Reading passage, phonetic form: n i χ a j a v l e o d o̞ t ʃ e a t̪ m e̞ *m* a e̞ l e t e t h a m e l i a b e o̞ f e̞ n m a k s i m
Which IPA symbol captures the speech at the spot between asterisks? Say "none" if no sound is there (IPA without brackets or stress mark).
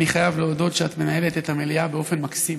n